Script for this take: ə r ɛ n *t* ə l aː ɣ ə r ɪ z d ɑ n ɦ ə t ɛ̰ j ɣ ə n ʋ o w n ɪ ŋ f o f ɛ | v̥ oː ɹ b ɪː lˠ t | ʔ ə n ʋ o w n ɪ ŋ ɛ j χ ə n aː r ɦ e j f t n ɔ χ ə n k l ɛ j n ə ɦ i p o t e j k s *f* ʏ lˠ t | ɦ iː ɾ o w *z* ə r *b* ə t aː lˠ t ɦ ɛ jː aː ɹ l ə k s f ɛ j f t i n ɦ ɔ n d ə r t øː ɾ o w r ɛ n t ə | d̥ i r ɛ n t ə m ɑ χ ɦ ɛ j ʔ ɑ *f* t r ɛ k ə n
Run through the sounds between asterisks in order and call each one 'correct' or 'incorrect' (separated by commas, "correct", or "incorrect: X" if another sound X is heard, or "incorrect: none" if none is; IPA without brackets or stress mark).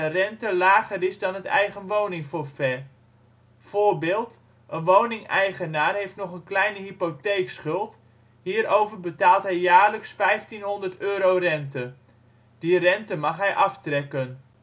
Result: correct, incorrect: χ, incorrect: v, correct, correct